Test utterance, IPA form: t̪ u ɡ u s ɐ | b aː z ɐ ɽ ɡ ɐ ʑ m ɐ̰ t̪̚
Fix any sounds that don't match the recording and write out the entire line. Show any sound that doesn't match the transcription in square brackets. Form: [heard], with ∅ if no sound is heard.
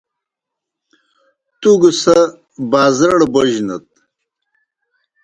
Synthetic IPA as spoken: t̪ u ɡ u s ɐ | b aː z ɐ ɽ [b] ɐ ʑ [n] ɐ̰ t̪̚